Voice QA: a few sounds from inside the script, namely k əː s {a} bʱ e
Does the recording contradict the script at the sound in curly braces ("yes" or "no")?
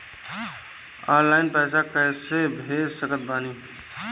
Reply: yes